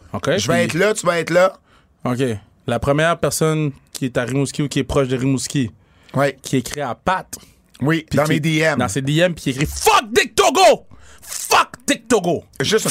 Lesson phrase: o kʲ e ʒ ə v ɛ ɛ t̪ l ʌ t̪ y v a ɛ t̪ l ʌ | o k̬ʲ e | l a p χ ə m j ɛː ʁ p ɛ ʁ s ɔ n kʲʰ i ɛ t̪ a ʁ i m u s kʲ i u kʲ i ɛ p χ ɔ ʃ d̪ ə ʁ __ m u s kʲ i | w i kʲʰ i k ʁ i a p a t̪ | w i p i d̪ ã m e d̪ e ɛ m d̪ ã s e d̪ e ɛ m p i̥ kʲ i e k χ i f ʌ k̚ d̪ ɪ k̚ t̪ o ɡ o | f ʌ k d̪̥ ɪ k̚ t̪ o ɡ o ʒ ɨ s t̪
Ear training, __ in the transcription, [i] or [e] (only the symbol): i